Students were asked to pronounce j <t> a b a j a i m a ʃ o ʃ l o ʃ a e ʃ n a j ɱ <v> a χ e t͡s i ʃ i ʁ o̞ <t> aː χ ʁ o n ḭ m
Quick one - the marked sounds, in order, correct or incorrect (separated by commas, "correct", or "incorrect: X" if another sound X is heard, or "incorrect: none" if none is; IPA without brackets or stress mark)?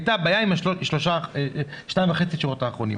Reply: correct, correct, correct